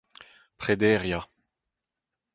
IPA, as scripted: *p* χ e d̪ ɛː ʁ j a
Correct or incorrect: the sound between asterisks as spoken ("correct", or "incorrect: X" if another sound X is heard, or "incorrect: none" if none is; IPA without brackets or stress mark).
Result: correct